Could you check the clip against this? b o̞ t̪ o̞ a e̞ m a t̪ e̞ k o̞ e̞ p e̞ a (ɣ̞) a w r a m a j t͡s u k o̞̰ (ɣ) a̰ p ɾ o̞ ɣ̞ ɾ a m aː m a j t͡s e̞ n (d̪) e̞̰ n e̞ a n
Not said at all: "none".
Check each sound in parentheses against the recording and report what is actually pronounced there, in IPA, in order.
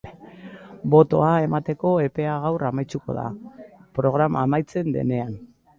ɣ̞, ð, d̪

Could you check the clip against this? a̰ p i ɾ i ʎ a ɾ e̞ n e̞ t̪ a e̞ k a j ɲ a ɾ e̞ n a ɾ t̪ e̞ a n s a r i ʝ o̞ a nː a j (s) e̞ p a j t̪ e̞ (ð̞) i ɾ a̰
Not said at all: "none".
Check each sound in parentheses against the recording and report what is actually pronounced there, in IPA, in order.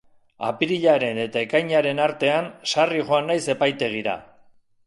s, ɣ̞

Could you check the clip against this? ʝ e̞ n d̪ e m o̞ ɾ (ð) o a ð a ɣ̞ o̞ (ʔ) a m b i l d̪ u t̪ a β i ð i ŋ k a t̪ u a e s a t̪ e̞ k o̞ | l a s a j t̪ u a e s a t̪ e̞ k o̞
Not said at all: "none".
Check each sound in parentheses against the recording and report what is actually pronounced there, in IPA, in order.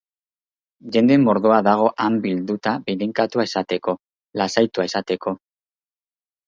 ð, ʔ

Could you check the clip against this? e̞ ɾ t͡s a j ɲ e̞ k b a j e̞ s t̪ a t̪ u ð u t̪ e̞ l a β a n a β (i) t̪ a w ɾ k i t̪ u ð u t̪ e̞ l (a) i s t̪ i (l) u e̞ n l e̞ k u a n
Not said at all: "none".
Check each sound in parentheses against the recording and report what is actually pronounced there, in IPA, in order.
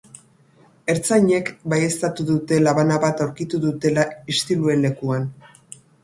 a, a, l

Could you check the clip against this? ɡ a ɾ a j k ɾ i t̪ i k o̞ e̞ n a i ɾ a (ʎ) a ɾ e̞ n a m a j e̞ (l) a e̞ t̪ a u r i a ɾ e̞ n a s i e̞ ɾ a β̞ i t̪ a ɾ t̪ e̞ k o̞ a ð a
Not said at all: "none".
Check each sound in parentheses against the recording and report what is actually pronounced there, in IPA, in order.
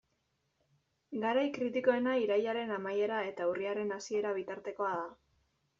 j, ɾ

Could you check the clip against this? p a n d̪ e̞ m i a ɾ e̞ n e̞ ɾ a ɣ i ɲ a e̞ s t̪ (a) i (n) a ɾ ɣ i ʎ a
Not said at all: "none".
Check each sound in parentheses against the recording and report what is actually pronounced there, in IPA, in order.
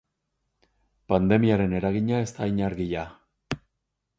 a, ɲ

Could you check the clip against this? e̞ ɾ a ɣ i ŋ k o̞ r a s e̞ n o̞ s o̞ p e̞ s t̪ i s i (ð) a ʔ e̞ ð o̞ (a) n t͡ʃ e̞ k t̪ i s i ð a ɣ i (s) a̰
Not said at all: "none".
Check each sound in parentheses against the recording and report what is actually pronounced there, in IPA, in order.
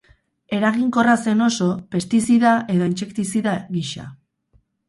ð, i, ʃ

